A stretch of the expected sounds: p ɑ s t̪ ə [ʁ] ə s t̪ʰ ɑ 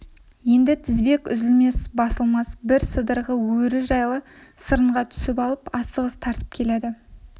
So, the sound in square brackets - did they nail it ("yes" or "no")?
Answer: yes